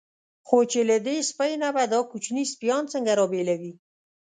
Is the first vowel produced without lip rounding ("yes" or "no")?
no